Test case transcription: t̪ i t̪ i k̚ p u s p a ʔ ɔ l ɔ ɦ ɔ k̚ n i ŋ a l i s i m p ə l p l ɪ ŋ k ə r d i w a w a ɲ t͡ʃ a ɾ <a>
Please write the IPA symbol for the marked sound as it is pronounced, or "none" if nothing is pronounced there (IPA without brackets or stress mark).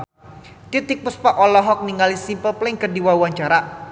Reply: a